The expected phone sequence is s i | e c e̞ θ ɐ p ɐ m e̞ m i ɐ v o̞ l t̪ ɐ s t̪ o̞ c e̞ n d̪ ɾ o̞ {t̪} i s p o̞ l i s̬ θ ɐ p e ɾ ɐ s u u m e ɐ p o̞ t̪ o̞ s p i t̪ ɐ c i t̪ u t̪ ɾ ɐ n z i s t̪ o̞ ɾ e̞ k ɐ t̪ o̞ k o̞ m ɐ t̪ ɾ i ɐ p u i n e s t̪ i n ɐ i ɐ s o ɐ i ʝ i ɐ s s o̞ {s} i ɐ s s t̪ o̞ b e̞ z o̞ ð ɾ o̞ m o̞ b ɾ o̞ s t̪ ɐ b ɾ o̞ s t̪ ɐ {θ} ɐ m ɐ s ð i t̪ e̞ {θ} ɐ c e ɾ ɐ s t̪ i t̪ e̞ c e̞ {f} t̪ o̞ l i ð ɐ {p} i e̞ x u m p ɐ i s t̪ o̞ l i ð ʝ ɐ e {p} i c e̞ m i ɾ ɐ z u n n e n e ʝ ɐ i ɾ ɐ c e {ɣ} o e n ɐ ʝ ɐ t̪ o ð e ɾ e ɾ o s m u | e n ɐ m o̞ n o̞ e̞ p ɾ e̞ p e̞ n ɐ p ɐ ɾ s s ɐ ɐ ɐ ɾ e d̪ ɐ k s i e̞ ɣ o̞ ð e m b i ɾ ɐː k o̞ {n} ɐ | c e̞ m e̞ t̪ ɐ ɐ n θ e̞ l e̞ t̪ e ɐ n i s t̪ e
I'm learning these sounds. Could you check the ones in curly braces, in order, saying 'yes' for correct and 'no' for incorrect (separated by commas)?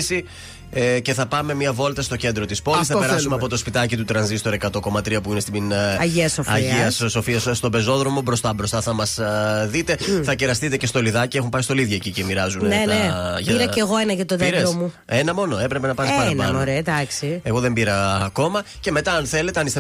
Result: yes, no, yes, yes, no, no, no, yes, no